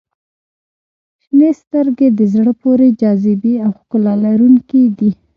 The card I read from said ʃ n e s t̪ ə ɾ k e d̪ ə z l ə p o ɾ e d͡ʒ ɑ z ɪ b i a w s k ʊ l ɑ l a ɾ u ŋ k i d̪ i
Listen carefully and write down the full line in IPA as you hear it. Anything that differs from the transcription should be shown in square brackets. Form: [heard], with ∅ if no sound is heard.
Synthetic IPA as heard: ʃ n e s t̪ ə ɾ [ɡ] e d̪ ə z [ɽ] ə p o ɾ e d͡ʒ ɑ z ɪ b i a w [x] k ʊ l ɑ l a ɾ u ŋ k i d̪ i